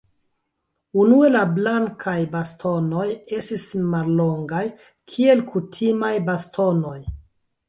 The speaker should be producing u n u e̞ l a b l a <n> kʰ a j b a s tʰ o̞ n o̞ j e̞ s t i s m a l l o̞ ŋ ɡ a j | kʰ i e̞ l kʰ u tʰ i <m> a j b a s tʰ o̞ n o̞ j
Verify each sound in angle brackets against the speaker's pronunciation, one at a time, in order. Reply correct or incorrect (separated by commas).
incorrect, correct